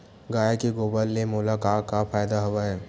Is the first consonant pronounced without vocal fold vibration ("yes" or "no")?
no